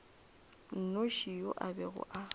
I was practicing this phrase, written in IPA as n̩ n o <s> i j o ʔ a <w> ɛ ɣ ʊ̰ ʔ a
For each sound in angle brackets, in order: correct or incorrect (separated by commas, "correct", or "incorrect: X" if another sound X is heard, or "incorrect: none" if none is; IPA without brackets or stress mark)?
incorrect: ʃ, incorrect: b